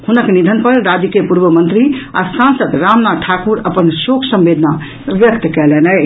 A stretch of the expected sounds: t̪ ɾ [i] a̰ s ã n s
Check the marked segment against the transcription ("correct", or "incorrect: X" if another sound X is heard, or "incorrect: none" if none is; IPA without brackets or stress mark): correct